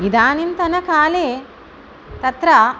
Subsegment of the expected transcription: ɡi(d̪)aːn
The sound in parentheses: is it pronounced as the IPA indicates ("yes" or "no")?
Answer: yes